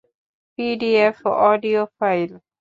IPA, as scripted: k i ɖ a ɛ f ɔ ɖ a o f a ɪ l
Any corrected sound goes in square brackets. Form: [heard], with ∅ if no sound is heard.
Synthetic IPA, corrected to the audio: [p] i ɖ [i] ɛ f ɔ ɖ [i] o f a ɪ l

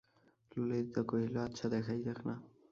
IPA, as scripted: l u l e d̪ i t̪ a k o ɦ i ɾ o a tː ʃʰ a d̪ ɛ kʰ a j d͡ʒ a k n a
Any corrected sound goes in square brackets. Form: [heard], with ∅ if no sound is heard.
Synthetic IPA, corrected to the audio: l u l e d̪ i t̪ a k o ɦ i [l] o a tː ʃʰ a d̪ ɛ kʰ a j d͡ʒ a k n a

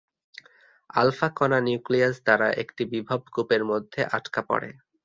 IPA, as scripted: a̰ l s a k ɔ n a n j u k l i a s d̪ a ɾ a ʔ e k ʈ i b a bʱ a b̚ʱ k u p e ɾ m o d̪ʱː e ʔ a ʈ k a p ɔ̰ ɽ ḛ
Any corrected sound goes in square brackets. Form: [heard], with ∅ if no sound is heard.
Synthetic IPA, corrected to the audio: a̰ l [f] a k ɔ n a n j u k l i a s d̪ a ɾ a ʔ e k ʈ i b [i] bʱ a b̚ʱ k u p e ɾ m o d̪ʱː e ʔ a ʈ k a p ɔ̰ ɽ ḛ

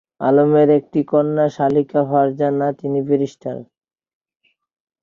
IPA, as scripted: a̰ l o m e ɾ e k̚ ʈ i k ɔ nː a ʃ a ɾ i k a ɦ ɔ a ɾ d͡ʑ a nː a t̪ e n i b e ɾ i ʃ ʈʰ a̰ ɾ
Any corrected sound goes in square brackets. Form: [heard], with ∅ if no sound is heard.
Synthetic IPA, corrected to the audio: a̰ l o m e ɾ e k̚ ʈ i k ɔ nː a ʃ a [l] i k a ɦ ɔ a ɾ d͡ʑ a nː a t̪ [i] n i b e ɾ i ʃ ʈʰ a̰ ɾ

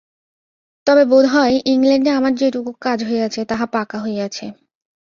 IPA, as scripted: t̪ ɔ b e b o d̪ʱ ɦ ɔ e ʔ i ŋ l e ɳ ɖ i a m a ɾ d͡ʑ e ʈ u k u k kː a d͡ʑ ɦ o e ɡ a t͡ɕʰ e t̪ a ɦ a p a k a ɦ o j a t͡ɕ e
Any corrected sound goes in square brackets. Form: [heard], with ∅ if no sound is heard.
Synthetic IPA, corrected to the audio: t̪ ɔ b e b o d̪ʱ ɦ ɔ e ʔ i ŋ l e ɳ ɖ [e] a m a ɾ d͡ʑ e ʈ u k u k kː a d͡ʑ ɦ o e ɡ a t͡ɕʰ e t̪ a ɦ a p a k a ɦ o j a [t͡ɕʰ] e

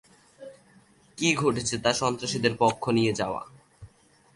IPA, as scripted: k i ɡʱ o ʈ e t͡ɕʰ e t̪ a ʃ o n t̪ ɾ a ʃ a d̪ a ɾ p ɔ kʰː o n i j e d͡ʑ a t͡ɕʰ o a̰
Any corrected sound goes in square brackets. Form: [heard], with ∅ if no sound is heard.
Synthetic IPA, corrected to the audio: k i ɡʱ o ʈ e t͡ɕʰ e t̪ a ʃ [ɔ] n t̪ ɾ a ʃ [i] d̪ [e] ɾ p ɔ kʰː o n i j e d͡ʑ a [∅] o a̰

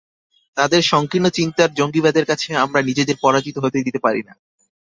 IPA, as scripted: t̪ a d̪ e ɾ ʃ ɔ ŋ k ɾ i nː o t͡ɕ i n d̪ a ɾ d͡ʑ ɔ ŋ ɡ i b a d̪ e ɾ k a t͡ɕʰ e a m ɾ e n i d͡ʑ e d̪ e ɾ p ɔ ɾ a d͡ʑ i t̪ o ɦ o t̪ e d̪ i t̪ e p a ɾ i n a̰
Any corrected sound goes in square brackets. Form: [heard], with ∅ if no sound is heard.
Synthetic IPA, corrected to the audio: t̪ a d̪ e ɾ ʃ ɔ ŋ k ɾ i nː o t͡ɕ i n [t̪] a ɾ d͡ʑ [o] ŋ ɡ i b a d̪ e ɾ k a t͡ɕʰ e a m ɾ [a] n i d͡ʑ e d̪ e ɾ p ɔ ɾ a d͡ʑ i t̪ o ɦ o t̪ e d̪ i t̪ e p a ɾ i n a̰

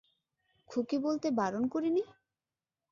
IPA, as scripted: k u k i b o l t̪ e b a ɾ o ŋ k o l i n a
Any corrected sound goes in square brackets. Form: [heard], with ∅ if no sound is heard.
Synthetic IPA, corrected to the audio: [kʰ] u k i b o l t̪ e b a ɾ o [n] k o [ɾ] i n [i]

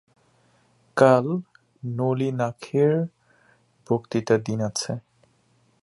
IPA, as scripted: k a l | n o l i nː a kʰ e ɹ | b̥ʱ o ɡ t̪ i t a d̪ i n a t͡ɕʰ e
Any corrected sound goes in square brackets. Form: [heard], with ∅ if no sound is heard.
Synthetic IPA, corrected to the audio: k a l | n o l i [n] a kʰ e ɹ | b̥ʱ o [k] t̪ i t a d̪ i n a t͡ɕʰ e

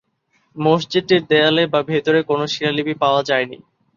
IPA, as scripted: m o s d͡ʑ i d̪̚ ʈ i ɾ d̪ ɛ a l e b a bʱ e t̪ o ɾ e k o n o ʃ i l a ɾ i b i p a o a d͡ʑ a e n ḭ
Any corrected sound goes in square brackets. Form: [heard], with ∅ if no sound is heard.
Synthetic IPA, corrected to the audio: m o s d͡ʑ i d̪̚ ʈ i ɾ d̪ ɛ a l e b a bʱ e t̪ o ɾ e k o n o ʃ i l a [l] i b i p a o a d͡ʑ a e n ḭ

